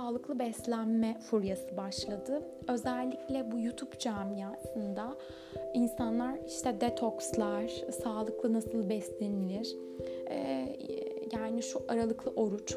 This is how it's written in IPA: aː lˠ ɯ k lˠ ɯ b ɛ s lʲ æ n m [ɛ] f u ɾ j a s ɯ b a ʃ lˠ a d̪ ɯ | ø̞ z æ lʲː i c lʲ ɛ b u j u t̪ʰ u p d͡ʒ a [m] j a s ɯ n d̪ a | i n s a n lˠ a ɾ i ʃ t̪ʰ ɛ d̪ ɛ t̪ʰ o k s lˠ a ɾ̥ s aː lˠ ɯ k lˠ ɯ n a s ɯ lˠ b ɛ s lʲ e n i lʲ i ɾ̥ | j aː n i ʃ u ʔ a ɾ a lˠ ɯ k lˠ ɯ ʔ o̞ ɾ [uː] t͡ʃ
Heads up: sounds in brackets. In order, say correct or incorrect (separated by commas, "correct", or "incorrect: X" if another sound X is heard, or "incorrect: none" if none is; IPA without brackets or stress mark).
correct, correct, incorrect: u